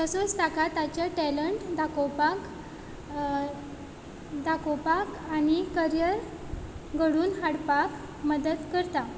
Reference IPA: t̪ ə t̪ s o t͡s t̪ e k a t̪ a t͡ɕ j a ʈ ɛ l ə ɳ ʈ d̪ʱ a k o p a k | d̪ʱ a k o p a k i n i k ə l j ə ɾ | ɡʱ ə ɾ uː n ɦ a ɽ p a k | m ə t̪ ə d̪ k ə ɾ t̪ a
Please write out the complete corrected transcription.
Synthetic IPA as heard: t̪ ə s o t͡s t̪ a k a t̪ a t͡ɕ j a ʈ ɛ l ə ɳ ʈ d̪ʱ a k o p a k | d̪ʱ a k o p a k a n i k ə ɾ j ə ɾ | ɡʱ ə ɽ uː n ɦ a ɽ p a k | m ə d̪ ə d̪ k ə ɾ t̪ a

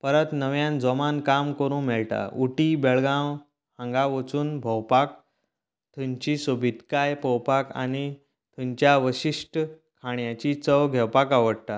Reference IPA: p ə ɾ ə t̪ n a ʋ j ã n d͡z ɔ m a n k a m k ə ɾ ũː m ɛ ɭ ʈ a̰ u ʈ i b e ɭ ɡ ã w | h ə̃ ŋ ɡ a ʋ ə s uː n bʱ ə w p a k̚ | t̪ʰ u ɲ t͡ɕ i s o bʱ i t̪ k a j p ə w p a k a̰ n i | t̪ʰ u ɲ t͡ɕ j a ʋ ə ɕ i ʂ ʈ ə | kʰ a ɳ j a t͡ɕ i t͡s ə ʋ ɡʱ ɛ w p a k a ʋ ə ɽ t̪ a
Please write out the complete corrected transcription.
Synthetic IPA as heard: p ə ɾ ə t̪ n ə ʋ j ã n d͡z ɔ m a n k a m k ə ɾ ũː m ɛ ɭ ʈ a̰ u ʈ i b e ɭ ɡ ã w | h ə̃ ŋ ɡ a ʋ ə t͡s uː n bʱ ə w p a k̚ | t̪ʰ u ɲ t͡ɕ i s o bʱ i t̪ k a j p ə w p a k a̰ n i | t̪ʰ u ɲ t͡ɕ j a ʋ ə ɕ i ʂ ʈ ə | kʰ a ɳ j a t͡ɕ i t͡s ə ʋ ɡʱ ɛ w p a k a ʋ ə ɽ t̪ a

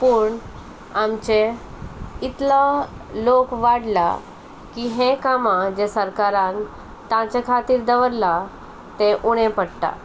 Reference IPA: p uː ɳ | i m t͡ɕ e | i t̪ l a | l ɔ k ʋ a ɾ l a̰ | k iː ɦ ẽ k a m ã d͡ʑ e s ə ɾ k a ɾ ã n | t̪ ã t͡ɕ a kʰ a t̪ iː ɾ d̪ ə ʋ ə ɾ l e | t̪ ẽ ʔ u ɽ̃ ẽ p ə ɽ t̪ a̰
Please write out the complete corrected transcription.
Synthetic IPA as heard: p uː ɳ | a m t͡ɕ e | i t̪ l a | l o k ʋ a ɽ l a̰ | k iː ɦ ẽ k a m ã d͡ʑ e s ə ɾ k a ɾ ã n | t̪ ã t͡ɕ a kʰ a t̪ iː ɾ d̪ ə ʋ ə ɾ l a | t̪ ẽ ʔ u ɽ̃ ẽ p ə ɽ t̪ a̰

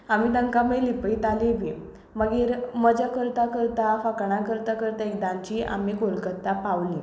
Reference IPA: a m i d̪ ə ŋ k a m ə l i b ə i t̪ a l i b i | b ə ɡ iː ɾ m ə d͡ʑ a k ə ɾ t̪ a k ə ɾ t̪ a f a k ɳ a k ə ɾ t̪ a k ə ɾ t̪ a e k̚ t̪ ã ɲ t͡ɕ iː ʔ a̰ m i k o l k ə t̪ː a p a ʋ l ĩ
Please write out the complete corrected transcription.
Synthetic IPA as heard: a m i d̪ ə ŋ k a m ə l i p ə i t̪ a l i b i | m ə ɡ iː ɾ m ə d͡ʑ a k ə ɾ t̪ a k ə ɾ t̪ a f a k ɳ a k ə ɾ t̪ a k ə ɾ t̪ a e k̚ d̪ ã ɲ t͡ɕ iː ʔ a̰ m i k o l k ə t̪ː a p a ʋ l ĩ

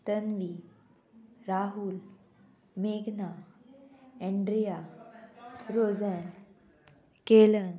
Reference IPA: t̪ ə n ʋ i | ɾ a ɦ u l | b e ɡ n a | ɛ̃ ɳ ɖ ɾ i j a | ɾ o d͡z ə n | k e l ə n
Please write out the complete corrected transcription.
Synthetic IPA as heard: t̪ ə n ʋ i | ɾ a ɦ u l | m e ɡ n a | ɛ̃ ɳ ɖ ɾ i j a | ɾ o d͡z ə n | k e l ə n

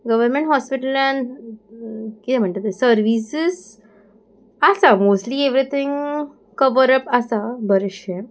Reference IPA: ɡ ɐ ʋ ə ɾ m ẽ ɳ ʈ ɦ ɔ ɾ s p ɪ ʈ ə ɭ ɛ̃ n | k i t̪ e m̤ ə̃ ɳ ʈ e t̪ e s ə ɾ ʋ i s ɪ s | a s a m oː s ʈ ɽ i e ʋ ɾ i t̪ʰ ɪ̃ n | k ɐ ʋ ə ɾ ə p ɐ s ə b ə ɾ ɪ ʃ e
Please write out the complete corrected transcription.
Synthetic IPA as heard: ɡ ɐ ʋ ə ɾ m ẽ ɳ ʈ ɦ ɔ s p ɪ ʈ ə l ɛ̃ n | k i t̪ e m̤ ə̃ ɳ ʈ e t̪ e s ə ɾ ʋ i s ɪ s | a s a m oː s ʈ l i e ʋ ɾ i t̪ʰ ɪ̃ ŋ | k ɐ ʋ ə ɾ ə p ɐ s a b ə ɾ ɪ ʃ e

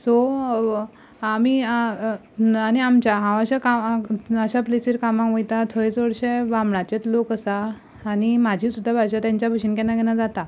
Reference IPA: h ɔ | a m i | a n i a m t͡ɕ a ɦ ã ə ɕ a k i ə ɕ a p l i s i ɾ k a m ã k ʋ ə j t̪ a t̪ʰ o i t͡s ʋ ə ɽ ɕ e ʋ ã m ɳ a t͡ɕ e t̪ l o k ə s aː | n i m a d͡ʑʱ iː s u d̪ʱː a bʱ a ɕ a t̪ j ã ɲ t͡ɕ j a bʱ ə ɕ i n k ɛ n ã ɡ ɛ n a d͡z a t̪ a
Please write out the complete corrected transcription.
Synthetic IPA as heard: s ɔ | a m i | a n i a m t͡ɕ a ɦ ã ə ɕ a k a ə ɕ a p l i s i ɾ k a m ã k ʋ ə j t̪ a t̪ʰ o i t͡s ʋ ə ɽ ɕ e ʋ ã m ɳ a t͡ɕ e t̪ l o k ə s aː | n i m a d͡ʑʱ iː s u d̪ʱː a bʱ a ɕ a t̪ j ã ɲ t͡ɕ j a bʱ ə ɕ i n k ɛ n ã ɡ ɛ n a d͡z a t̪ a

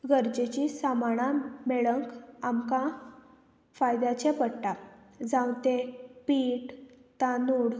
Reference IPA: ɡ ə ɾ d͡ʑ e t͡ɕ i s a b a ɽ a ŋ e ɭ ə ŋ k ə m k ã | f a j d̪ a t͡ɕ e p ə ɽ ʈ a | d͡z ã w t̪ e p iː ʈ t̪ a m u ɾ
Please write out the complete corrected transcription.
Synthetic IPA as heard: ɡ ə ɾ d͡ʑ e t͡ɕ i s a m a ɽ a m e ɭ ə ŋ k a m k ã | f a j d̪ a t͡ɕ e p ə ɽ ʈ a | d͡z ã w t̪ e p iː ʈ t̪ a n u ɽ

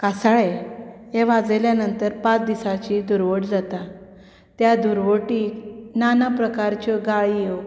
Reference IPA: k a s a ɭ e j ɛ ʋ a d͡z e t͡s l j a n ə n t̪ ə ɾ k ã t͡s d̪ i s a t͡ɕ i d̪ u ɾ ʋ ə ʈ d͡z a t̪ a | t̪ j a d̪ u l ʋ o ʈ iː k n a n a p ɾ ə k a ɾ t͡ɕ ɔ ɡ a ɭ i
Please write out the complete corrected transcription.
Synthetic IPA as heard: k a s a ɭ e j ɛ ʋ a d͡z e l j a n ə n t̪ ə ɾ p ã t͡s d̪ i s a t͡ɕ i d̪ u ɾ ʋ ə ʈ d͡z a t̪ a | t̪ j a d̪ u ɾ ʋ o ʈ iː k n a n a p ɾ ə k a ɾ t͡ɕ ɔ ɡ a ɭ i

